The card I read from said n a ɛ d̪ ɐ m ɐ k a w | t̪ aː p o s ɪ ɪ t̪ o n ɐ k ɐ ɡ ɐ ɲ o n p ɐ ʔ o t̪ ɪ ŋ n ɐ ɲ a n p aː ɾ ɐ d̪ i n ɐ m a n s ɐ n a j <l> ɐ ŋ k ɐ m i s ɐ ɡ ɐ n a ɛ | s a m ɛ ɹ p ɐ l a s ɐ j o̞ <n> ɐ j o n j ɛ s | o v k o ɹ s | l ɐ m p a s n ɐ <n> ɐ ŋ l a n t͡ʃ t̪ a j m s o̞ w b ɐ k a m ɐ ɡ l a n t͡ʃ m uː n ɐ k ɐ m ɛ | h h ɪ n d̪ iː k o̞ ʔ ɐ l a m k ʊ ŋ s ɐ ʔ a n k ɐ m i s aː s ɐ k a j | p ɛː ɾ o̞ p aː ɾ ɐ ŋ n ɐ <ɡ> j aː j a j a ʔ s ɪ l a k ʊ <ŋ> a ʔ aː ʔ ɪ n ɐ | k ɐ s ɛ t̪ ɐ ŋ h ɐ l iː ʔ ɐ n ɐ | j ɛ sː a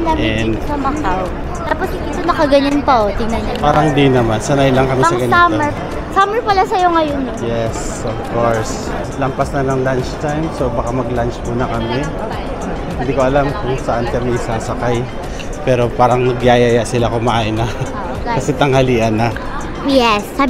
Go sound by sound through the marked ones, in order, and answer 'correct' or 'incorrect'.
correct, incorrect, correct, correct, incorrect

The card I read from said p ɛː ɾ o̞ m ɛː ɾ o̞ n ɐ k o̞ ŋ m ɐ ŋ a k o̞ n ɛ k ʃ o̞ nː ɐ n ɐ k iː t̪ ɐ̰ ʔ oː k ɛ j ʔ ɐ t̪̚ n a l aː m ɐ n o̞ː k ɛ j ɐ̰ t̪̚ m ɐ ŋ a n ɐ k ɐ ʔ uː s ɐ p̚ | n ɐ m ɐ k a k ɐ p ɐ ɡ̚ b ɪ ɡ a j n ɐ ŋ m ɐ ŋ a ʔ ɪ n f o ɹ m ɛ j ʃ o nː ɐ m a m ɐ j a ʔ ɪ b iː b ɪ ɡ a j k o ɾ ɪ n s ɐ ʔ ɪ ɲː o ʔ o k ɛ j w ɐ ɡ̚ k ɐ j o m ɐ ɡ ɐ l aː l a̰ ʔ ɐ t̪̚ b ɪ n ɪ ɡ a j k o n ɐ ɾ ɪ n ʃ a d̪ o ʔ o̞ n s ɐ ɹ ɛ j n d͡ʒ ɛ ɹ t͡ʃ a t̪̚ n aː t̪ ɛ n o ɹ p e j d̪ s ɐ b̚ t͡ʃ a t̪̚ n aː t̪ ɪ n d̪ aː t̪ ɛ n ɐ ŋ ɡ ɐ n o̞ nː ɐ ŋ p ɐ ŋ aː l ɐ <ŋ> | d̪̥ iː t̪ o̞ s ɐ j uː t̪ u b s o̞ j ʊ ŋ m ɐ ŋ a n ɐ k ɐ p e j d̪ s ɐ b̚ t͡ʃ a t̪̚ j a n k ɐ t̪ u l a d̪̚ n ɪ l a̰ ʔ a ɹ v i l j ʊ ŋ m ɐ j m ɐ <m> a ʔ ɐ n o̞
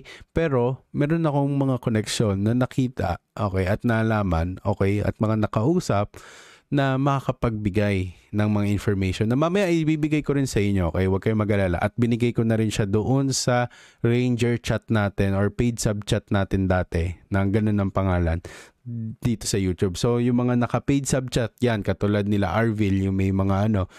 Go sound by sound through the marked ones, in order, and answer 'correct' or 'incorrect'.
incorrect, incorrect

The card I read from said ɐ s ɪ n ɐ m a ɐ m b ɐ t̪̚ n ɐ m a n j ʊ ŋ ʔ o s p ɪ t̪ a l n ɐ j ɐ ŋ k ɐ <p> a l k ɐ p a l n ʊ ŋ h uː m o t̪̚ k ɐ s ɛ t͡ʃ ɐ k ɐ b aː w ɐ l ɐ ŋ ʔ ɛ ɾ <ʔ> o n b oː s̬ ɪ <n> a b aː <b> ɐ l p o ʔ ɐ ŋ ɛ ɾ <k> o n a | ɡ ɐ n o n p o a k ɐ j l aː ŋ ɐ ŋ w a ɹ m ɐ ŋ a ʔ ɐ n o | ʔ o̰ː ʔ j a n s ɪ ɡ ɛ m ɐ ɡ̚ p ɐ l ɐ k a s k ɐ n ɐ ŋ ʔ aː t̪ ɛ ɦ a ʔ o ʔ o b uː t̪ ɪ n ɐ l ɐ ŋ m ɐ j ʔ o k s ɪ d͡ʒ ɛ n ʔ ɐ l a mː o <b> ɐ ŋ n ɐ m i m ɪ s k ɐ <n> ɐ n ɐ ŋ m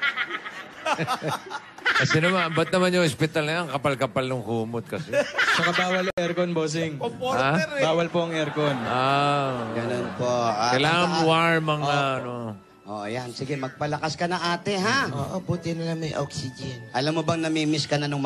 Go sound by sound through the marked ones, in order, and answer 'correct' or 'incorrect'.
correct, incorrect, incorrect, incorrect, correct, correct, correct

